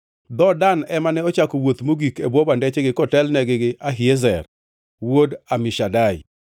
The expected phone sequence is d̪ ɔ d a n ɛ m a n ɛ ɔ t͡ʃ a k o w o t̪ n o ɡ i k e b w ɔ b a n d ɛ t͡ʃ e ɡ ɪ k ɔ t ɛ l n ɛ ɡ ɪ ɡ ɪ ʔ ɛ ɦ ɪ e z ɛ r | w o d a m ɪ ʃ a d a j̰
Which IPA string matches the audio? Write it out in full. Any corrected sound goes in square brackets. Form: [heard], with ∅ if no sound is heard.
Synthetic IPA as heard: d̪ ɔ d a n ɛ m a n ɛ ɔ t͡ʃ a k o w o t̪ [m] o ɡ i k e b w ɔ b a n d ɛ t͡ʃ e ɡ ɪ k ɔ t ɛ l n ɛ ɡ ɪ ɡ ɪ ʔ [a] ɦ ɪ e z ɛ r | w o d a m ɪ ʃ a d a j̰